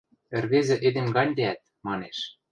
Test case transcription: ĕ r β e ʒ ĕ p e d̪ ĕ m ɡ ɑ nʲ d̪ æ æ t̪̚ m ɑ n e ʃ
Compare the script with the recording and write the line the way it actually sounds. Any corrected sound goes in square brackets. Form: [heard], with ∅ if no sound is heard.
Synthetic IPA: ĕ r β e [z] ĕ [ʔ] e d̪ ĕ m ɡ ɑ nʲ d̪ [e] æ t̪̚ m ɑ n e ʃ